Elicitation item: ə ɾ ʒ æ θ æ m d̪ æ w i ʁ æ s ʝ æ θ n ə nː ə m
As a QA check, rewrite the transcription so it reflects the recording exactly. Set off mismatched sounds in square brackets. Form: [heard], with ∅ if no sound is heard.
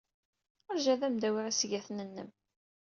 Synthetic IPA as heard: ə ɾ ʒ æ [ð] æ m d̪ æ w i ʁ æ s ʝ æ θ n ə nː ə m